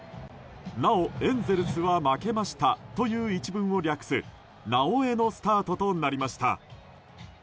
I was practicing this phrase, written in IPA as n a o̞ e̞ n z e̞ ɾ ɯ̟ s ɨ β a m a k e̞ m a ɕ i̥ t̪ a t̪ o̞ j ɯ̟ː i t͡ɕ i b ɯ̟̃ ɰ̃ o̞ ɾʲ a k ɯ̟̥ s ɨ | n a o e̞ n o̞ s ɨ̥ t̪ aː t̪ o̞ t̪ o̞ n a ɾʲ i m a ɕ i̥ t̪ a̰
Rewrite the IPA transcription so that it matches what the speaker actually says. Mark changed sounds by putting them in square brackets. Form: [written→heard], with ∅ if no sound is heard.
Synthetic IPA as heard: n a o̞ [e̞→ẽ̞] n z e̞ ɾ ɯ̟ s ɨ β a m a k e̞ m a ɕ i̥ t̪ a t̪ o̞ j ɯ̟ː i t͡ɕ i b ɯ̟̃ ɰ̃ o̞ ɾʲ a k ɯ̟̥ s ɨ | n a o e̞ n o̞ s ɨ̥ t̪ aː t̪ o̞ t̪ o̞ n a ɾʲ i m a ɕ i̥ t̪ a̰